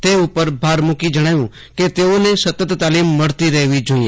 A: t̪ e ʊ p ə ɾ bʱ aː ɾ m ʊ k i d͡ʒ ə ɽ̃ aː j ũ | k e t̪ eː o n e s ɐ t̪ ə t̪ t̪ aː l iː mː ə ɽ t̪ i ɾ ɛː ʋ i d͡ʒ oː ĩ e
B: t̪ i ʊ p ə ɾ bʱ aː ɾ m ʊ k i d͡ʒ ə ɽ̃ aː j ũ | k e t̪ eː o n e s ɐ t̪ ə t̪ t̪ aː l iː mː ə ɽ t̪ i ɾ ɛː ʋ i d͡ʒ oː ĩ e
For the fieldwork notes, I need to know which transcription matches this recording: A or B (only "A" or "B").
A